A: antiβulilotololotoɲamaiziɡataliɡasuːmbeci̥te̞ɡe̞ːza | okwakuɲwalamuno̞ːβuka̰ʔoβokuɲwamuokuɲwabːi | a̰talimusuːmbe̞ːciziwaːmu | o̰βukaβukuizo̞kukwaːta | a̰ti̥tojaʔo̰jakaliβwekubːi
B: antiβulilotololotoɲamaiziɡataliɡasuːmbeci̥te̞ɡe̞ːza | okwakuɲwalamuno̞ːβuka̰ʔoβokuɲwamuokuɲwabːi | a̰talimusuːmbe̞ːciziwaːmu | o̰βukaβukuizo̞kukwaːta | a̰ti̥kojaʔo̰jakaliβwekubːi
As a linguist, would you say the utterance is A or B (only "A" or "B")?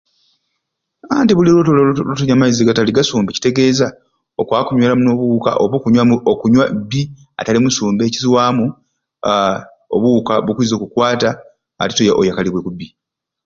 A